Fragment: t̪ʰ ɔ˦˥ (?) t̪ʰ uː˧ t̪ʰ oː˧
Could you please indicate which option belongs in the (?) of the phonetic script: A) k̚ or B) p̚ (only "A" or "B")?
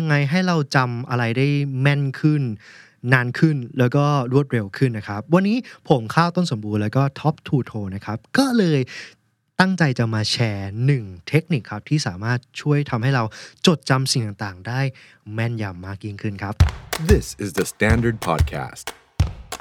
B